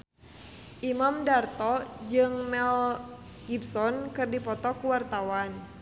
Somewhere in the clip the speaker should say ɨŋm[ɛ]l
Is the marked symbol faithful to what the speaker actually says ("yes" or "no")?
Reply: yes